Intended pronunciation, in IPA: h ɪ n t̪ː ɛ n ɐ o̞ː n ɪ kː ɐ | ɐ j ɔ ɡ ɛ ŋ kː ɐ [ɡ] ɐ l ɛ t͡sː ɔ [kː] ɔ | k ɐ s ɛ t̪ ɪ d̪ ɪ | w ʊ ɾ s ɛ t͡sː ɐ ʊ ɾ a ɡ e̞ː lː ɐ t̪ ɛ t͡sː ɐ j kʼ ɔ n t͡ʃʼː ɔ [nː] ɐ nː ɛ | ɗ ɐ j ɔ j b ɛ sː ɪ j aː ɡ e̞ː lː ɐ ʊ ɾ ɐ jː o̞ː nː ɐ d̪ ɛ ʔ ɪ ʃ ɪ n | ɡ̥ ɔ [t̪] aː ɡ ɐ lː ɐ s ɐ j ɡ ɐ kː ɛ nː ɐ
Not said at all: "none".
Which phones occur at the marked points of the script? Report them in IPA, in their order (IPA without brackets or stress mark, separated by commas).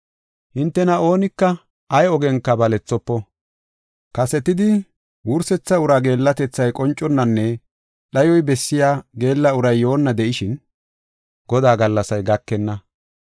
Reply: b, pː, nː, d̪